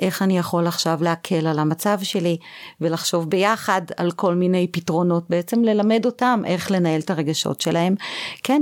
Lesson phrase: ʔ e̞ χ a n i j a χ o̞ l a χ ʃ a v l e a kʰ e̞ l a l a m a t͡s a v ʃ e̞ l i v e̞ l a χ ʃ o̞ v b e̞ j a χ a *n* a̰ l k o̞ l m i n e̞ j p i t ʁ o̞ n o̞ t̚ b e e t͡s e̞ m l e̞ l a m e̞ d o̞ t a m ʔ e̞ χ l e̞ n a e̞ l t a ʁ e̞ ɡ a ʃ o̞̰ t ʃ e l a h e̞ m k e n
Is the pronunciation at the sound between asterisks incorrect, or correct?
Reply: incorrect